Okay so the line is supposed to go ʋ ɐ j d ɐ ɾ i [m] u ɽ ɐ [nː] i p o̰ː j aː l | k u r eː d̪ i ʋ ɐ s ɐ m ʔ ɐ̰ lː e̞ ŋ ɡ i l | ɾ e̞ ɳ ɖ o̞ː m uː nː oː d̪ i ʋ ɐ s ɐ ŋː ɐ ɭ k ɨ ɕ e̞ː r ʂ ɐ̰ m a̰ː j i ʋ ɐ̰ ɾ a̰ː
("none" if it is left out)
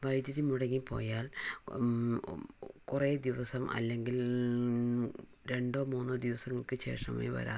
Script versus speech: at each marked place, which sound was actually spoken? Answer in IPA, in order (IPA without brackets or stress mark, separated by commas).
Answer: m, ŋː